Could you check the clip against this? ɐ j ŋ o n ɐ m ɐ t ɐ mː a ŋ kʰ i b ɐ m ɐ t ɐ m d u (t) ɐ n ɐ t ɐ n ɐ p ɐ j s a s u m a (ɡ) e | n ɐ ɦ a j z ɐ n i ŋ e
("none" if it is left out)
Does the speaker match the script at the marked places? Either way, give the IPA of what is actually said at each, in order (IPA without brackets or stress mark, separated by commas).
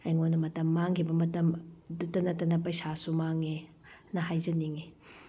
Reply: t, ŋ